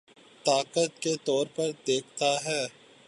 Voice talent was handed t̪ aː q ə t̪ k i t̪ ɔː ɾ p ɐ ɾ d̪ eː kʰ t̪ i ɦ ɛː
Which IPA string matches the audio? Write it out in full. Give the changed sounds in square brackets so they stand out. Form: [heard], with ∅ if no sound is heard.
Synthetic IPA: t̪ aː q ə t̪ k [e] t̪ ɔː ɾ p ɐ ɾ d̪ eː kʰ t̪ [a] ɦ ɛː